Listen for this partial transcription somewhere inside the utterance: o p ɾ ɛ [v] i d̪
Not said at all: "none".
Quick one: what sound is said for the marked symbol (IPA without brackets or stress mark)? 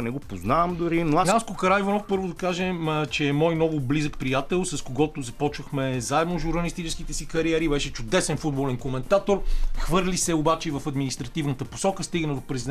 z